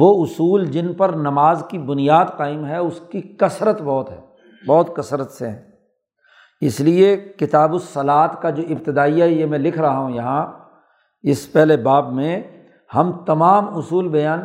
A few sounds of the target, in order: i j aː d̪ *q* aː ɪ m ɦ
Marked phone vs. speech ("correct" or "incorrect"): correct